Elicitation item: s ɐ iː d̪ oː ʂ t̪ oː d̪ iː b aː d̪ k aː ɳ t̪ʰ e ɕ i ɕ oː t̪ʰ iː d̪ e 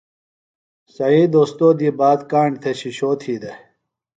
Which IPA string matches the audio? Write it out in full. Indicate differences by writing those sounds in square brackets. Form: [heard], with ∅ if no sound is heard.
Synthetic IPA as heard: s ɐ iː d̪ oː [s] t̪ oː d̪ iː b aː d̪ k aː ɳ t̪ʰ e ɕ i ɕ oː t̪ʰ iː d̪ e